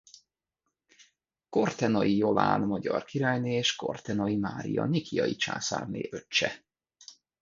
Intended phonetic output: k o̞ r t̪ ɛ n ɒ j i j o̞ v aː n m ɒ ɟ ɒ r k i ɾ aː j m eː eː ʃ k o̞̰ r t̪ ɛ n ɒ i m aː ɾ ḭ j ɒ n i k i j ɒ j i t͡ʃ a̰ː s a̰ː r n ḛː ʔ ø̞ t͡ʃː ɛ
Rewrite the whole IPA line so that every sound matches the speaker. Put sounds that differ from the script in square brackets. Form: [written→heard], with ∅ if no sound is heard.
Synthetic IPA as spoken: k o̞ r t̪ ɛ n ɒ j i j o̞ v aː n m ɒ ɟ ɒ r k i ɾ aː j [m→n] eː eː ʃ k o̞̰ r t̪ ɛ n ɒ i m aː ɾ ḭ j ɒ n i k i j ɒ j i t͡ʃ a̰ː s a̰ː r n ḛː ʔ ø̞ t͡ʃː ɛ